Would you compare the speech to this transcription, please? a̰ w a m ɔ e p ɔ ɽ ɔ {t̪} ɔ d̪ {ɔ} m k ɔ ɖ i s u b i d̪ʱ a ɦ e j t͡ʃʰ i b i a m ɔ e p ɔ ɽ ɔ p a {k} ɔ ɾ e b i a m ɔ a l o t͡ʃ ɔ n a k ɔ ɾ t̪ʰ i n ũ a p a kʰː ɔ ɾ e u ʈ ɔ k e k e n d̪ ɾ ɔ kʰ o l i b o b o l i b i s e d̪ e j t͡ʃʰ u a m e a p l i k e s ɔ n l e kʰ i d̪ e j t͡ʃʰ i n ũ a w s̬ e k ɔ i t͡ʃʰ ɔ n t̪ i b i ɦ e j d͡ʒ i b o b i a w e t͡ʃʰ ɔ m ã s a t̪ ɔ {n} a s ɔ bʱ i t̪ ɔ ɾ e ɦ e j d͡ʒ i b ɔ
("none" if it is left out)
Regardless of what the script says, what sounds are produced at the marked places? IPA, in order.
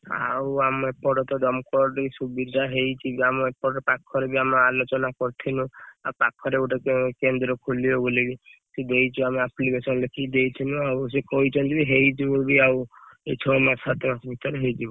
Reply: t̪, ɔ, kʰ, m

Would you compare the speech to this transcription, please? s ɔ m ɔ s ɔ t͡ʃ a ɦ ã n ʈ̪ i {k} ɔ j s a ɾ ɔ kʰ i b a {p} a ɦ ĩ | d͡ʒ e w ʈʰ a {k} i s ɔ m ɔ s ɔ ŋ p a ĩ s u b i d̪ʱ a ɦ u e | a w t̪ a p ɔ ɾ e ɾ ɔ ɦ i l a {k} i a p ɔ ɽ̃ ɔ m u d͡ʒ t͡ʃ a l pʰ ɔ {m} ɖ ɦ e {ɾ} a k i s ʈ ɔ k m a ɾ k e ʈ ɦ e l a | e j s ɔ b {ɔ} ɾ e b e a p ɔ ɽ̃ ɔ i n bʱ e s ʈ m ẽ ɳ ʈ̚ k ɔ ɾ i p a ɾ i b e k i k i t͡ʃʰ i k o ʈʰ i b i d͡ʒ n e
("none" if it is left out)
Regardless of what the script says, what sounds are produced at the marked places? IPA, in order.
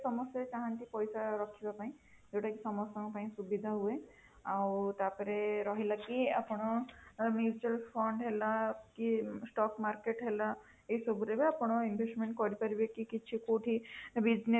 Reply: p, p, k, k, ɳ, l, u

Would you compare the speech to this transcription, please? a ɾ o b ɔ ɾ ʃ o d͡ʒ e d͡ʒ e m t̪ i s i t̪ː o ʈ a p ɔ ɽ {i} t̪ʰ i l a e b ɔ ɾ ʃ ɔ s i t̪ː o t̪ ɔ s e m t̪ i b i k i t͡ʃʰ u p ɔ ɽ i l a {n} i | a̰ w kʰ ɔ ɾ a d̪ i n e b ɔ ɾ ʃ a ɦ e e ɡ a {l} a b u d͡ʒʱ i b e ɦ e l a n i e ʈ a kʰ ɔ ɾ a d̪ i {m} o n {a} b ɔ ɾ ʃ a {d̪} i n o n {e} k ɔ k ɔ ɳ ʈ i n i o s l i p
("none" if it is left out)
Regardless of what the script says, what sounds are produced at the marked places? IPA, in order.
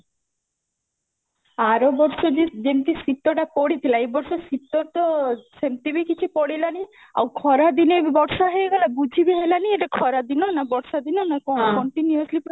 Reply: i, n, l, n, a, d̪, a

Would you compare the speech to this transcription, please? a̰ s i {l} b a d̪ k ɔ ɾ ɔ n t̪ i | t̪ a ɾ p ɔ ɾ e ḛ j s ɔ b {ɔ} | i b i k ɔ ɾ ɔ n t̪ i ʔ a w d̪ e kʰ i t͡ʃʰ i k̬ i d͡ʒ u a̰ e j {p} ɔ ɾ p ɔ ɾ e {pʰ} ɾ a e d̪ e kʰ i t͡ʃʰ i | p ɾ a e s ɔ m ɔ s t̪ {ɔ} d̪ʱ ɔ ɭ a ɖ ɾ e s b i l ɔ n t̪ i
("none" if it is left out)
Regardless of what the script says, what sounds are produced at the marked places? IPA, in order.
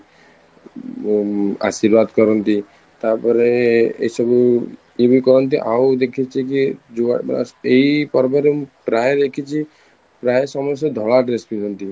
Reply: ɾ, u, p, p, ɔ

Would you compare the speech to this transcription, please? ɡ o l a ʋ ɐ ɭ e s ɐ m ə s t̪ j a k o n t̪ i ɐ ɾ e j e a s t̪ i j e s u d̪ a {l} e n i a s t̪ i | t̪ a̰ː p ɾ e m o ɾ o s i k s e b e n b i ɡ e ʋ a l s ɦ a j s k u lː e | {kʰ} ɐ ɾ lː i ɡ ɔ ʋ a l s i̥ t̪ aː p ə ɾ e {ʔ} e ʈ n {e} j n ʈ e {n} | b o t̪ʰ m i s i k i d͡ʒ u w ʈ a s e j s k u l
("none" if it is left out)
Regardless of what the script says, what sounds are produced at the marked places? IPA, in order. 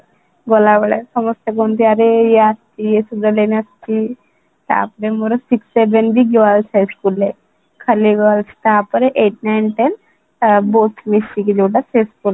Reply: l, kʰ, ʔ, a, n

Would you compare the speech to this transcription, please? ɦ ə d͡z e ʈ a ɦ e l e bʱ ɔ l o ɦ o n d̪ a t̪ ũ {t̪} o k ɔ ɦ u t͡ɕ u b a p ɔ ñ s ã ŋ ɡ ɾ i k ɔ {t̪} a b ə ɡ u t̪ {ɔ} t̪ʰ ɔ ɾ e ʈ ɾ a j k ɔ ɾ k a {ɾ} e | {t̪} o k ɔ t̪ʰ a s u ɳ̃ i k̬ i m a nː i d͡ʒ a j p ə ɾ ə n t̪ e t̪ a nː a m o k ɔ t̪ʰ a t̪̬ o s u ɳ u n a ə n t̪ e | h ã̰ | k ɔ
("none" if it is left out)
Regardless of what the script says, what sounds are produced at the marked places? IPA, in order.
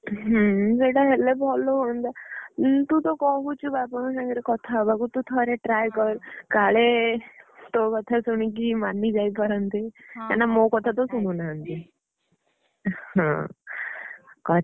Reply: t̪, t̪ʰ, u, ɭ, t̪

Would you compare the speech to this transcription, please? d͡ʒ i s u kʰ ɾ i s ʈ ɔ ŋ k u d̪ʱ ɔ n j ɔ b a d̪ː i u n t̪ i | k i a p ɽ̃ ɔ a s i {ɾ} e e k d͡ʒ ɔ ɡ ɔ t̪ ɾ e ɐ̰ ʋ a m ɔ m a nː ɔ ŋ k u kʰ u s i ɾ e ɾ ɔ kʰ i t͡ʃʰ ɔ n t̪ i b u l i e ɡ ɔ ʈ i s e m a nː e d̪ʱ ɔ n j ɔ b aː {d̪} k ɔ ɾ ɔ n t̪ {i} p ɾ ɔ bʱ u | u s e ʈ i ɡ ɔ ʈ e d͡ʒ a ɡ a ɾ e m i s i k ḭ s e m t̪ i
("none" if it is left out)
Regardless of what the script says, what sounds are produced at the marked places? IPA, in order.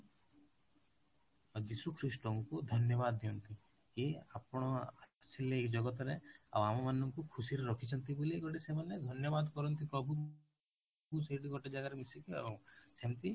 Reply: l, d̪, i

